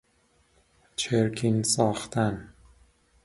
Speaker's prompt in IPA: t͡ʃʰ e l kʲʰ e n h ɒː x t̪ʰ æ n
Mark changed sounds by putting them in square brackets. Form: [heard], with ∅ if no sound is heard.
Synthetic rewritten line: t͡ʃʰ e [ɾ] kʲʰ [i] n [s] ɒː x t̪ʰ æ n